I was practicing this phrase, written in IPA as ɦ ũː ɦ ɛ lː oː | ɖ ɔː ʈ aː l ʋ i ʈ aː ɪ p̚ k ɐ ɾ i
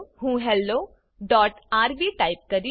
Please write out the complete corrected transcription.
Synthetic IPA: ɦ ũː ɦ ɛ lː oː | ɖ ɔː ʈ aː ɾ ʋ i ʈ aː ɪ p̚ k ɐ ɾ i

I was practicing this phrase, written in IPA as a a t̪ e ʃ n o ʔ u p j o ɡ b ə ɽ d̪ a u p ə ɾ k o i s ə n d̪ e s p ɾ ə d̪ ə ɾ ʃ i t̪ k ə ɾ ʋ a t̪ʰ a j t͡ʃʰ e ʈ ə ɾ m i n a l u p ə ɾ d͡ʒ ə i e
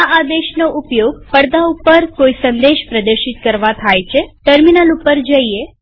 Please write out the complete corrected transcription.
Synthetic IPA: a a d̪ e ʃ n o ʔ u p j o ɡ p ə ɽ d̪ a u p ə ɾ k o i s ə n d̪ e ʃ p ɾ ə d̪ ə ɾ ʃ i t̪ k ə ɾ ʋ a t̪ʰ a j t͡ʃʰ e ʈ ə ɾ m i n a l u p ə ɾ d͡ʒ ə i e

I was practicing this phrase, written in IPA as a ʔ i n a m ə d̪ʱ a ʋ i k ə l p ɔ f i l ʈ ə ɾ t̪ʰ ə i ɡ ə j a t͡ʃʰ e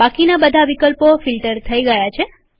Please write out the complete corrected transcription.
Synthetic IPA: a k i n a b ə d̪ʱ a ʋ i k ə l p o f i l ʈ ə ɾ t̪ʰ ə i ɡ ə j a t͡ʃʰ e

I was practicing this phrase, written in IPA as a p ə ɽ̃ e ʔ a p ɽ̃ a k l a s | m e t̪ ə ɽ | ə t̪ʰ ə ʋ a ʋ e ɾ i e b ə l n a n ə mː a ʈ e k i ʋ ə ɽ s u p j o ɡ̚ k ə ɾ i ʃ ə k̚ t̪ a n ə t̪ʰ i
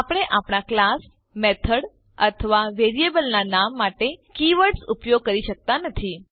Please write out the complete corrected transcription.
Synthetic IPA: a p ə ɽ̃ e ʔ a p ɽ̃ a k l a s | m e t̪ʰ ə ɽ | ə t̪ʰ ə ʋ a ʋ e ɾ i e b ə l n a n a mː a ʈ e k i ʋ ə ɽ s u p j o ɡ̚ k ə ɾ i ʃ ə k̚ t̪ a n ə t̪ʰ i

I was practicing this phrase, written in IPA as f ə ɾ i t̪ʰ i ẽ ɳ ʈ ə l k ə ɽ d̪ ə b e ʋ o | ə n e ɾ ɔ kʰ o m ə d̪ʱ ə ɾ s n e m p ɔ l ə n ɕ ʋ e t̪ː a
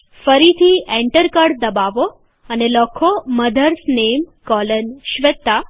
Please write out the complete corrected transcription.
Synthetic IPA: f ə ɾ i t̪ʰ i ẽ ɳ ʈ ə ɾ k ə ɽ d̪ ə b a ʋ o | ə n e l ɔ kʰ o m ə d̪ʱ ə ɾ s n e m k ɔ l ə n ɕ ʋ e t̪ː a

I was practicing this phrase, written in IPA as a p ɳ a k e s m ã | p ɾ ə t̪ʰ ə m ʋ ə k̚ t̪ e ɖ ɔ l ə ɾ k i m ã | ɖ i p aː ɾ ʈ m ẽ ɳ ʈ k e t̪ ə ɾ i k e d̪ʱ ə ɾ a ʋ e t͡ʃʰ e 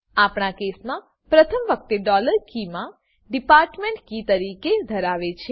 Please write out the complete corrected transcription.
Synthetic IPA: a p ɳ a k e s m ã | p ɾ ə t̪ʰ ə m ʋ ə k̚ t̪ e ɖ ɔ l ə ɾ k i m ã | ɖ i p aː ɾ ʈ m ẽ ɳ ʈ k i t̪ ə ɾ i k e d̪ʱ ə ɾ a ʋ e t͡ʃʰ e

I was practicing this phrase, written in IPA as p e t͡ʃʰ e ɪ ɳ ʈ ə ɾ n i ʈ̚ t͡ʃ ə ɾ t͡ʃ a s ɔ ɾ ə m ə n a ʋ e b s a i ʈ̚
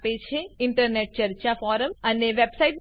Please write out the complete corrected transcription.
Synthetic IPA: p e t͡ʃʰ e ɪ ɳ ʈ ə ɾ n e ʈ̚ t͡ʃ ə ɾ t͡ʃ a f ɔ ɾ ə m ə n e ʋ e b s a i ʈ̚

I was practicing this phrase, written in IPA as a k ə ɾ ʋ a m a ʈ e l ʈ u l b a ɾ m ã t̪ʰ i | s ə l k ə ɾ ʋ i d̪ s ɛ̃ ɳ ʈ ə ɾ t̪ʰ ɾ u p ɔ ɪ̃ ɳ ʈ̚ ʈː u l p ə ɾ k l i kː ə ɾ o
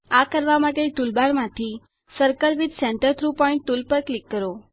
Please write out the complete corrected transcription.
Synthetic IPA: a k ə ɾ ʋ a m a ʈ e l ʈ u l b a ɾ m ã t̪ʰ i | s ə ɾ k ə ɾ ʋ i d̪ s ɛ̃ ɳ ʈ ə ɾ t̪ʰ ɾ u p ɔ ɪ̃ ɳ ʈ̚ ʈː u l p ə ɾ k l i kː ə ɾ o

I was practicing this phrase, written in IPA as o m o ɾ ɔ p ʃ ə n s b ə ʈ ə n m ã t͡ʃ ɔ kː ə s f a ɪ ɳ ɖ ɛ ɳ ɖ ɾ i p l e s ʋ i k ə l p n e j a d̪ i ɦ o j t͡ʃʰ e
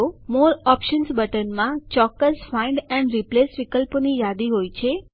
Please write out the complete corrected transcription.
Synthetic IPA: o m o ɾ ɔ p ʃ ə n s b ə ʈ ə n m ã t͡ʃ ɔ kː ə s f a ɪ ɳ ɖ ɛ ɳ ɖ ɾ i p l e s ʋ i k ə l p n i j a d̪ i ɦ o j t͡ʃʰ e

